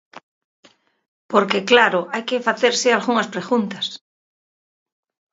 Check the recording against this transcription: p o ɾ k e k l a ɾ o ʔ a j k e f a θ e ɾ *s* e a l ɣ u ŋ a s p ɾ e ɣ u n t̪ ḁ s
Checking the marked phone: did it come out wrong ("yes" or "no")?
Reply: no